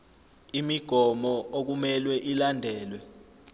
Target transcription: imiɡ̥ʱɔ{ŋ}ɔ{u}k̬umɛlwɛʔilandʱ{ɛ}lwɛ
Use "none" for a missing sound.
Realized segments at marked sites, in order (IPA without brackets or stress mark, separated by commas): m, o, ɛː